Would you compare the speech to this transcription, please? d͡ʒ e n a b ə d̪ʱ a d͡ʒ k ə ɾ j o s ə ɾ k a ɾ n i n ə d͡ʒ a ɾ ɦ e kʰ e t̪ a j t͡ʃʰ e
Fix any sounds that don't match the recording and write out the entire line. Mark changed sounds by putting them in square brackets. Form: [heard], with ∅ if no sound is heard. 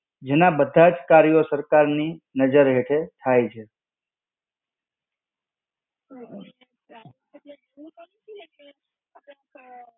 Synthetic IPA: d͡ʒ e n a b ə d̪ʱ a d͡ʒ k [a] ɾ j o s ə ɾ k a ɾ n i n ə d͡ʒ [ə] ɾ ɦ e [ʈʰ] e [t̪ʰ] a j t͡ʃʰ e